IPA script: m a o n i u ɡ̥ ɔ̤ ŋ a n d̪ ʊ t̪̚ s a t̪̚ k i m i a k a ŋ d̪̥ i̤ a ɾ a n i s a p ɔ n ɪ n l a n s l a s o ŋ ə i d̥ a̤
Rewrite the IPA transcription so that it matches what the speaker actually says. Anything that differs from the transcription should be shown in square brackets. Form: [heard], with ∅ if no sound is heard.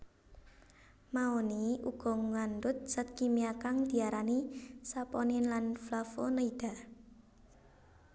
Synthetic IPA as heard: m a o n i u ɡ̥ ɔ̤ ŋ a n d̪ ʊ t̪̚ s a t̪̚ k i m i a k a ŋ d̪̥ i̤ a ɾ a n i s a p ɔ n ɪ n l a n [f] l a [f] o [n] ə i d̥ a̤